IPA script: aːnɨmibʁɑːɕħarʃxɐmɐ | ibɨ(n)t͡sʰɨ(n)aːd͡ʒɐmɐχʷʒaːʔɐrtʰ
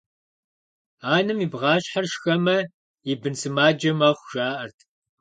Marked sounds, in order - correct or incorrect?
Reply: correct, incorrect: m

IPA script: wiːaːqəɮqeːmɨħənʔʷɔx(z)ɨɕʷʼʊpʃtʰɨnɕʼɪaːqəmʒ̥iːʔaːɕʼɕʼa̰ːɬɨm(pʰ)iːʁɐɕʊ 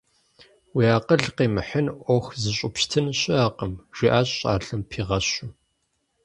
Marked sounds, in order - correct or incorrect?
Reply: correct, correct

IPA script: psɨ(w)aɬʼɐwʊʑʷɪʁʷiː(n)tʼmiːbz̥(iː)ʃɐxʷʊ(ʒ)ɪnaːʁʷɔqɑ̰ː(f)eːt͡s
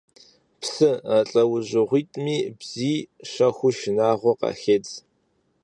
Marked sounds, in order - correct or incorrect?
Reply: incorrect: none, incorrect: none, correct, incorrect: ʃ, incorrect: x

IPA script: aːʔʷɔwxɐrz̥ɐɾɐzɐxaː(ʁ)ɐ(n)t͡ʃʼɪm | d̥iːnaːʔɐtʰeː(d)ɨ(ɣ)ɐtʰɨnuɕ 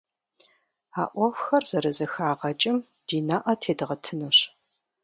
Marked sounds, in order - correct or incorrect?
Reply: correct, incorrect: none, correct, incorrect: ʁ

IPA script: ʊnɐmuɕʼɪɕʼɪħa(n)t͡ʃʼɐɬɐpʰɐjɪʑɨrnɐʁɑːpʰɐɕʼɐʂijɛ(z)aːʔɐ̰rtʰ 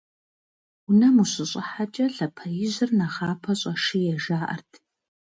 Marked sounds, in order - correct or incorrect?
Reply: incorrect: none, incorrect: ʒ

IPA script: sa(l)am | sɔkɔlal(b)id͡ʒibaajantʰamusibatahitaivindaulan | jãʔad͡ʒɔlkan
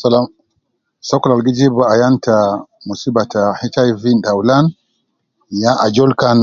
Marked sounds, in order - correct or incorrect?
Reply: correct, incorrect: ɡ

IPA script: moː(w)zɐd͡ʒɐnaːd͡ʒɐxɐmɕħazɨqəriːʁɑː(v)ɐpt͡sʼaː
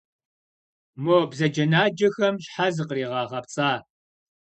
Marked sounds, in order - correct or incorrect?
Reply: incorrect: b, incorrect: ʁ

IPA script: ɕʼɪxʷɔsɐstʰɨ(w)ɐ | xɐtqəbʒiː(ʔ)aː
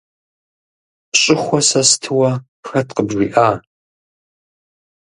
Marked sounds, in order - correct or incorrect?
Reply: correct, correct

